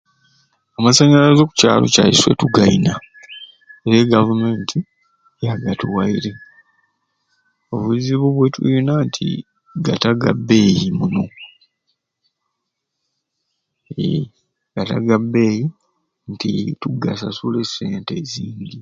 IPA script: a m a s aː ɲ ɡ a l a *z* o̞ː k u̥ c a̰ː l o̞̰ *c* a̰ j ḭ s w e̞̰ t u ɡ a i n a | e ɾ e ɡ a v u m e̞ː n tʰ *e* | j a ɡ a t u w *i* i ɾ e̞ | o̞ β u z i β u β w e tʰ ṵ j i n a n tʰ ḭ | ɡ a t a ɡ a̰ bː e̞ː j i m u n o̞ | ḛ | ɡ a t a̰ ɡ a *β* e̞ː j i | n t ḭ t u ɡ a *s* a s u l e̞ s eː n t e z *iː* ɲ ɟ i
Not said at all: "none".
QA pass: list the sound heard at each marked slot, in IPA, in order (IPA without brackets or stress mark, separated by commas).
z, c, i, a, b, s, iː